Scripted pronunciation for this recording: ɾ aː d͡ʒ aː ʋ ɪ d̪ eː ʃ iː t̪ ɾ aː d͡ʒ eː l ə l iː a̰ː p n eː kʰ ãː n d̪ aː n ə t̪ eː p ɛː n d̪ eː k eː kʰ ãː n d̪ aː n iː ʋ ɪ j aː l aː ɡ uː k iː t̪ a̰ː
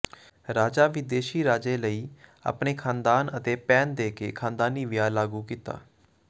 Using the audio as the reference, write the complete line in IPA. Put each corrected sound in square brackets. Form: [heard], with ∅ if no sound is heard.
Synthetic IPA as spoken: ɾ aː d͡ʒ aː ʋ ɪ d̪ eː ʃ iː [∅] ɾ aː d͡ʒ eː l ə [∅] iː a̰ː p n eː kʰ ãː n d̪ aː n ə t̪ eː p ɛː n d̪ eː k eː kʰ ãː n d̪ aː n iː ʋ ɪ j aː l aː ɡ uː k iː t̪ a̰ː